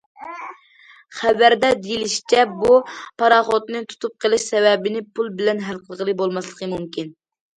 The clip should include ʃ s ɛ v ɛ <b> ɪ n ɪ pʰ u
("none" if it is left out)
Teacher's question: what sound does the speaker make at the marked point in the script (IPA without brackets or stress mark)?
b